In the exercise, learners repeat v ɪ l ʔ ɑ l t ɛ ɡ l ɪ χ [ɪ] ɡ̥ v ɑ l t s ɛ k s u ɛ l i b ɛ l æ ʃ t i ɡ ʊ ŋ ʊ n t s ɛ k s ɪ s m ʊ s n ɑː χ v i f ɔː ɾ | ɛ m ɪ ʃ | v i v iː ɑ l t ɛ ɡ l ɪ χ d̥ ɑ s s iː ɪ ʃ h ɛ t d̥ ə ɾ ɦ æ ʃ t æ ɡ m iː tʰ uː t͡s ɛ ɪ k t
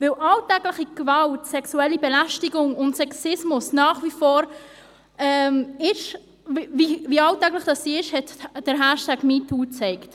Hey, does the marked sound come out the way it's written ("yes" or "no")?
no